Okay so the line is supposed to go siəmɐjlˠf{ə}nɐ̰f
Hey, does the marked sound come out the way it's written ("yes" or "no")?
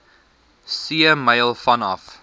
no